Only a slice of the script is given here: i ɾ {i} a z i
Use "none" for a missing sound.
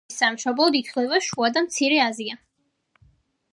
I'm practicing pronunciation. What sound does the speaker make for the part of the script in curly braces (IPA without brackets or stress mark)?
ɛ